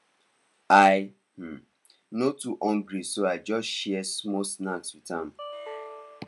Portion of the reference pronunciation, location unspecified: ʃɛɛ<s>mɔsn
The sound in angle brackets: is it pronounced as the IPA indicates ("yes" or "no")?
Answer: yes